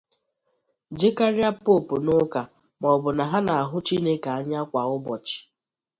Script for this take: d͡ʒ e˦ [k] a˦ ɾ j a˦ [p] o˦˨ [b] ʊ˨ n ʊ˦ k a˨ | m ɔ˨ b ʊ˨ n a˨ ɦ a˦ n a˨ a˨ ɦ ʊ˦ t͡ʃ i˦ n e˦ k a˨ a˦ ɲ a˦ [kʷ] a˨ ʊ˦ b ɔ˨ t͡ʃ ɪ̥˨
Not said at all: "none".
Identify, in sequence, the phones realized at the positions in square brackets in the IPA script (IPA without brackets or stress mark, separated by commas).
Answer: k, p, p, kʷ